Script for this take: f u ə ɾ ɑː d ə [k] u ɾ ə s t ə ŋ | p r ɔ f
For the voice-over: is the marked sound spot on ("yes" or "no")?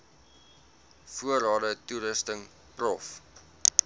no